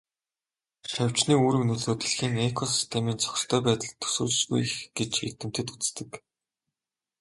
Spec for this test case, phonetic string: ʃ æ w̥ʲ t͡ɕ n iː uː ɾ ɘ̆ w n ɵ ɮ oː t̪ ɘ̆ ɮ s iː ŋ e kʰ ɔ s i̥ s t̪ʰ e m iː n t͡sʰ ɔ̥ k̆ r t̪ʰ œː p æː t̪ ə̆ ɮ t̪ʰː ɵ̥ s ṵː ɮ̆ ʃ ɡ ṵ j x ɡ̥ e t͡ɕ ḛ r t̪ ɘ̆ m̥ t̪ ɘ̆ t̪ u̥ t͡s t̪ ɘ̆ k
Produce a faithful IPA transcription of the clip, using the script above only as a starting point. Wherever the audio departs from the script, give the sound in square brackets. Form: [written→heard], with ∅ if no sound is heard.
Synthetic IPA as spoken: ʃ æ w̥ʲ t͡ɕ n iː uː ɾ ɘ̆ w n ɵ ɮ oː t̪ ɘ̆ ɮ [s→x] iː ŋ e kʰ ɔ s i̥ s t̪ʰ e m iː n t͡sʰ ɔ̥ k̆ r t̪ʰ œː p æː t̪ ə̆ ɮ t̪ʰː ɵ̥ s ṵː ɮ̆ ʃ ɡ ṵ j x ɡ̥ e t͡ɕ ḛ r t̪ ɘ̆ m̥ t̪ ɘ̆ t̪ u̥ t͡s t̪ ɘ̆ k